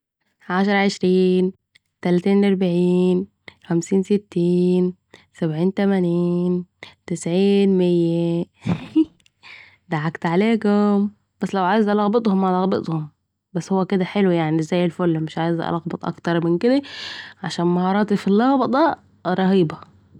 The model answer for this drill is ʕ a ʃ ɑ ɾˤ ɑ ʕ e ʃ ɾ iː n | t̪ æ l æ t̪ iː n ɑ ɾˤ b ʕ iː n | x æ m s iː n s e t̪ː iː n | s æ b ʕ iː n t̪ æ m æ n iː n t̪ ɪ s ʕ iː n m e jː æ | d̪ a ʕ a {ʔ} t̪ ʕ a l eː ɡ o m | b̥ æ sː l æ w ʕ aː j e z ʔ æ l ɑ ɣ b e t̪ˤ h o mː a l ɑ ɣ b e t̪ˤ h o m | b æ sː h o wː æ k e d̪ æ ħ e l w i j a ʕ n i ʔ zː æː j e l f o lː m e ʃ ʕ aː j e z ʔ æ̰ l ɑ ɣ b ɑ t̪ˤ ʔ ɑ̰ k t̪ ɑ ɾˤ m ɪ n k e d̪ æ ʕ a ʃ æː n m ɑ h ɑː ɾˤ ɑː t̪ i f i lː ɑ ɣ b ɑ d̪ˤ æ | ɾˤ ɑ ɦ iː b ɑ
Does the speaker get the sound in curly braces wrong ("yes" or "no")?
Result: yes